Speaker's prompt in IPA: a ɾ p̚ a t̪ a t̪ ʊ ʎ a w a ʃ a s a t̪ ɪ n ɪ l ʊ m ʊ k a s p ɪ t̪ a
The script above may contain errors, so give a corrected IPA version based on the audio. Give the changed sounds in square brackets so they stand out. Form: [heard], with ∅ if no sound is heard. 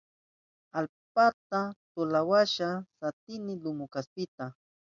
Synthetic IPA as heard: a [l] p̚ a t̪ a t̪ ʊ [l] a w a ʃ a s a t̪ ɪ n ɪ l ʊ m ʊ k a s p ɪ t̪ a